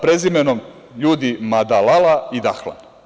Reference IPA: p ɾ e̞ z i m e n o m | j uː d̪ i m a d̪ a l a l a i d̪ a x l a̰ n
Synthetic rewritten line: p ɾ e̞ z i m e n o m | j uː d̪ i m a d̪ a l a l a i d̪ a x l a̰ n